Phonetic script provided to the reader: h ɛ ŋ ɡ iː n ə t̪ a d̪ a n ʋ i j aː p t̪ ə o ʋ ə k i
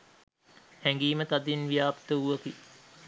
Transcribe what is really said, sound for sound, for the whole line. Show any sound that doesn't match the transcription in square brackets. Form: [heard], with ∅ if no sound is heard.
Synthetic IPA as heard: h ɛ ŋ ɡ iː [m] ə t̪ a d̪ [i] n ʋ i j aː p t̪ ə [u] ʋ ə k i